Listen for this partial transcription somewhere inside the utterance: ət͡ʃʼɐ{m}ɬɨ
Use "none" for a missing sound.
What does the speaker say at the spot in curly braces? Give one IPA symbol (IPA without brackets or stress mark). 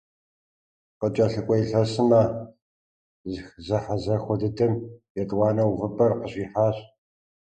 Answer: none